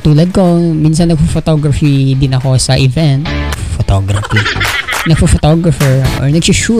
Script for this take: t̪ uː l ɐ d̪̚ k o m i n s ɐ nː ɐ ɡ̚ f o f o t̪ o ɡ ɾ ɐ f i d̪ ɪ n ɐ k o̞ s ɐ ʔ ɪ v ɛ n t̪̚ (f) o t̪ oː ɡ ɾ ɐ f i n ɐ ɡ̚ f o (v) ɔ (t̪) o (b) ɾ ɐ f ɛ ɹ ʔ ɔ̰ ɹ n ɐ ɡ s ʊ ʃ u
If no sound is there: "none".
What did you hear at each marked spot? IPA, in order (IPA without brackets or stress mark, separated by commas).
f, f, t̪, ɡ